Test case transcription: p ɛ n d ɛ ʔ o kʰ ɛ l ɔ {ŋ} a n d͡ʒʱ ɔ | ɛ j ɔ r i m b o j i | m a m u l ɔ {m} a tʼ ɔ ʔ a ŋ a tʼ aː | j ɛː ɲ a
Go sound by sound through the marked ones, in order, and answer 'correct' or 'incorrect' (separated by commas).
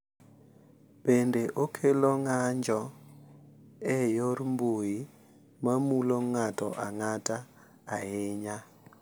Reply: correct, incorrect